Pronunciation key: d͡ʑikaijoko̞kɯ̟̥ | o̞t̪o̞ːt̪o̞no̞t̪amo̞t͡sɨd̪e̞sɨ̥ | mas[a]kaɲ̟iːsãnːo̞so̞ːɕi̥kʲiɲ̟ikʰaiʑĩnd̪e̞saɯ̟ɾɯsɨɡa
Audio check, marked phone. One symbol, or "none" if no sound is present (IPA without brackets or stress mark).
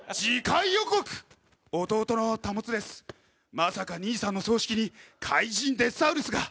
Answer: a